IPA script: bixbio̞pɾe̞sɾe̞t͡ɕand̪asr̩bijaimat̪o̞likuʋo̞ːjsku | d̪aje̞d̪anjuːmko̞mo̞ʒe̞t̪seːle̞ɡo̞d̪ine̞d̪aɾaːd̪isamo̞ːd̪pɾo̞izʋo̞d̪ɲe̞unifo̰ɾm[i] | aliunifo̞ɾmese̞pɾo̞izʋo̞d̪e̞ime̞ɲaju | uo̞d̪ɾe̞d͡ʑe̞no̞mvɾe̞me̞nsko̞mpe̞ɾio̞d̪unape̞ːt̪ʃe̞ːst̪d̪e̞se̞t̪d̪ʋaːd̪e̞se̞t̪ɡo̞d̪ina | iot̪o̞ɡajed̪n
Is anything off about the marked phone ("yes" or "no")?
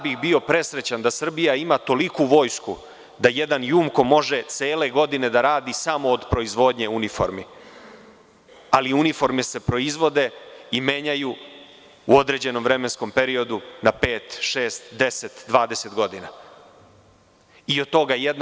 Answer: no